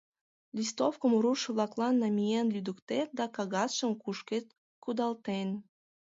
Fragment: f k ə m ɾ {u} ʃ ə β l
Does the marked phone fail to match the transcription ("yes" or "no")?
no